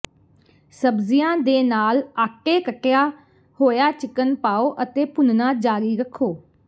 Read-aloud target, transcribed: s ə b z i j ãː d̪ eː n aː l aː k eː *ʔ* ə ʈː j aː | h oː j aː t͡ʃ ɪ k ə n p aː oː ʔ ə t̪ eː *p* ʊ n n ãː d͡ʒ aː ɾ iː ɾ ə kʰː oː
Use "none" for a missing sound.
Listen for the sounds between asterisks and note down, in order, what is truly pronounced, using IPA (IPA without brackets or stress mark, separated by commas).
k, p